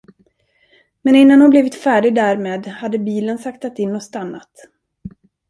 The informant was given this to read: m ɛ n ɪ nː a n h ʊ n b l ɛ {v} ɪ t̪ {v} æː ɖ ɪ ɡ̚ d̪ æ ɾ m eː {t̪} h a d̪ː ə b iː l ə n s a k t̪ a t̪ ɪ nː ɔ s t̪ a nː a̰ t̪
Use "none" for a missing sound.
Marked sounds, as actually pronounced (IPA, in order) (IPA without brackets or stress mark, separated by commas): v, f, d̪